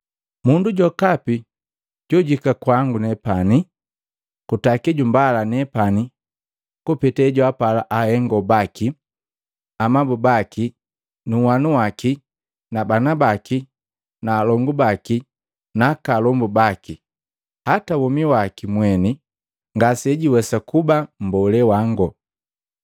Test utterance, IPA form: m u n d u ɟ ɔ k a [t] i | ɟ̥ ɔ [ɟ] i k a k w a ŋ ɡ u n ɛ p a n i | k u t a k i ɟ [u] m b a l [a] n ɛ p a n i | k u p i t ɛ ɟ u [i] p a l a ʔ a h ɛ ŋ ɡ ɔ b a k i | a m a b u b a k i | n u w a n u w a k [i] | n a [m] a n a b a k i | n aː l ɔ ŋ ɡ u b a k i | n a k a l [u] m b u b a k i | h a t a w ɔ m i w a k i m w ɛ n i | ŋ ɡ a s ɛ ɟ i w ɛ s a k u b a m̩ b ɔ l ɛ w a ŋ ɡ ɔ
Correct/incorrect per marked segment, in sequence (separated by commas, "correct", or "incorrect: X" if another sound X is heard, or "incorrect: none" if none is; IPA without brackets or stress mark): incorrect: p, correct, correct, correct, incorrect: a, correct, incorrect: b, incorrect: ɔ